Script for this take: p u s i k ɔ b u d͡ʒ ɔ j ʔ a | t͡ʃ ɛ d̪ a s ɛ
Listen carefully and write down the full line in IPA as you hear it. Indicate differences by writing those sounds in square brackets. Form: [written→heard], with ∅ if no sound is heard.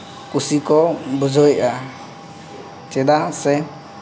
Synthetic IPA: [p→k] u s i k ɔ b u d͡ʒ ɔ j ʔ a | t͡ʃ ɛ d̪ a s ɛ